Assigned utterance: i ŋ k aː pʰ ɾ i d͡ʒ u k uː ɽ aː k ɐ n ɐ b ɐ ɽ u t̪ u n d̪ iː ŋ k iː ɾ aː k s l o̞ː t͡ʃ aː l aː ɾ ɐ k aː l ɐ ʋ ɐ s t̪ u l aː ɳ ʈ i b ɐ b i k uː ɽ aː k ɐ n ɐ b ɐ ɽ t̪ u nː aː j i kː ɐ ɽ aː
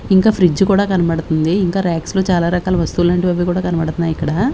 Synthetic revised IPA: i ŋ k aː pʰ ɾ i d͡ʒ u k uː ɽ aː k ɐ n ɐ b ɐ ɽ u t̪ u n d̪ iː ŋ k aː ɾ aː k s l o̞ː t͡ʃ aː l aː ɾ ɐ k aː l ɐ ʋ ɐ s t̪ u l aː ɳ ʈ i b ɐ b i k uː ɽ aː k ɐ n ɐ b ɐ ɽ t̪ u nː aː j i kː ɐ ɽ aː